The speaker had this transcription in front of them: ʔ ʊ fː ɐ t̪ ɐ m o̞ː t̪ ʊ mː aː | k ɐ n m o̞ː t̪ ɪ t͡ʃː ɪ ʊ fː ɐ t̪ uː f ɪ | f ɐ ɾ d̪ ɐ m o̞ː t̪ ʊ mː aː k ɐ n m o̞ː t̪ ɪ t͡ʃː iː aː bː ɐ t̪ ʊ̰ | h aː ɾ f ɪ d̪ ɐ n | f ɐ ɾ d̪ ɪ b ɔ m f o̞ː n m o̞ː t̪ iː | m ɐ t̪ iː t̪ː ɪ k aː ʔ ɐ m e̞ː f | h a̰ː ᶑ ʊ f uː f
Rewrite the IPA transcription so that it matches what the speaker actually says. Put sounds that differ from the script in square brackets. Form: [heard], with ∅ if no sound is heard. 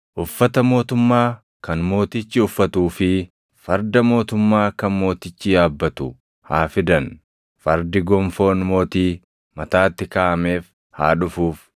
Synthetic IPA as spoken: ʔ ʊ fː ɐ t̪ ɐ m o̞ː t̪ ʊ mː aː | k ɐ n m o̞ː t̪ ɪ t͡ʃː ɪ ʊ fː ɐ t̪ uː f ɪ | f ɐ ɾ d̪ ɐ m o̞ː t̪ ʊ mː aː k ɐ n m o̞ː t̪ ɪ t͡ʃː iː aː bː ɐ t̪ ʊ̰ | h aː [∅] f ɪ d̪ ɐ n | f ɐ ɾ d̪ ɪ [ɡ] ɔ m f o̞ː n m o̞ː t̪ iː | m ɐ t̪ [aː] t̪ː ɪ k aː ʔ ɐ m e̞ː f | h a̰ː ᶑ ʊ f uː f